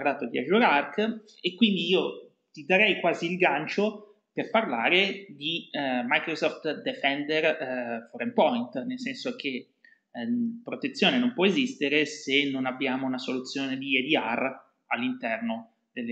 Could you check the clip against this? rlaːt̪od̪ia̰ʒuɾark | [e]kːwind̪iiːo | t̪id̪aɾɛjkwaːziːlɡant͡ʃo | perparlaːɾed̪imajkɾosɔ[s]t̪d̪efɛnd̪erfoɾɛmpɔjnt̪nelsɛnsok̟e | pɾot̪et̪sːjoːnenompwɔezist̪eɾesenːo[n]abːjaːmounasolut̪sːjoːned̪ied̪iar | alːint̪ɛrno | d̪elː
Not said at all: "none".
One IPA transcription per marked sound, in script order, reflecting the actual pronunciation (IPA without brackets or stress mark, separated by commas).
e, f, n